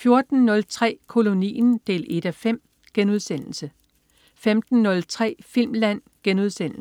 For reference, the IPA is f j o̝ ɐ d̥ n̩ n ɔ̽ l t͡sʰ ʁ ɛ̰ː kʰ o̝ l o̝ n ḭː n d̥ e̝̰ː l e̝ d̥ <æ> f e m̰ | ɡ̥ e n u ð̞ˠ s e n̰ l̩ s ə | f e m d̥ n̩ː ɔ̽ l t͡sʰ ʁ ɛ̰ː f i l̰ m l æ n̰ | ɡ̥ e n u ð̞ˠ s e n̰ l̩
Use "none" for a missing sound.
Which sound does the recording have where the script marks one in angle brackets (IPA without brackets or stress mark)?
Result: æ